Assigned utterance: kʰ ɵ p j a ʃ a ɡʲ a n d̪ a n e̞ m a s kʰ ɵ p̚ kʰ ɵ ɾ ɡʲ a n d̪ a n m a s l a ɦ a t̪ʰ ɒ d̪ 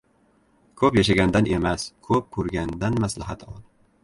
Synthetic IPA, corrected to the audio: kʰ ɵ p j a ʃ a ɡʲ a n d̪ a n e̞ m a s kʰ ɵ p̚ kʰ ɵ ɾ ɡʲ a n d̪ a n m a s l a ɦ a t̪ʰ ɒ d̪